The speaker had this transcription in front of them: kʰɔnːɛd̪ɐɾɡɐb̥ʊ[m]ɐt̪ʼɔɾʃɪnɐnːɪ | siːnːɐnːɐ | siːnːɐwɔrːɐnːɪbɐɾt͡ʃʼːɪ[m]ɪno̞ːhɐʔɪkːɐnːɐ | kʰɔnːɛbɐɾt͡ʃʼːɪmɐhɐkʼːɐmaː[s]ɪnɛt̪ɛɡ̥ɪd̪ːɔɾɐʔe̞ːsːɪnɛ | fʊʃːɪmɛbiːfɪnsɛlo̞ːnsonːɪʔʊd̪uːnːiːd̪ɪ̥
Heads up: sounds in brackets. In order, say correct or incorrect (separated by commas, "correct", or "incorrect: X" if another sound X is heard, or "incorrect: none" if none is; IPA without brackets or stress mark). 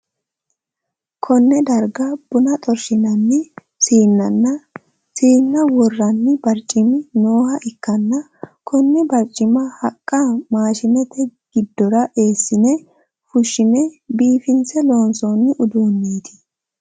incorrect: n, correct, incorrect: ʃ